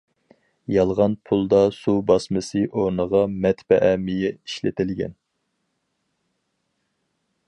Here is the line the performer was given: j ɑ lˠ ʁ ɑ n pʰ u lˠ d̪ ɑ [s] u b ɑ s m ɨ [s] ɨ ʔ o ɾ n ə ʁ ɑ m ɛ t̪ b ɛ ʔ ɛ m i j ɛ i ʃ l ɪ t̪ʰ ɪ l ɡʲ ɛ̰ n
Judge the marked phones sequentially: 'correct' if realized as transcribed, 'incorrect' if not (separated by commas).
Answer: correct, correct